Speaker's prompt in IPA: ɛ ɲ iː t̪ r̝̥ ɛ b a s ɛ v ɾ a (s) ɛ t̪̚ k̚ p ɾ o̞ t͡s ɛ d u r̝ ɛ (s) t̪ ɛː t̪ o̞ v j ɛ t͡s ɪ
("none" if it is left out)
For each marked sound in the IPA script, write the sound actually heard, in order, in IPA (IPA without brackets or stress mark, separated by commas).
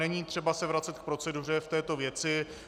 t͡s, f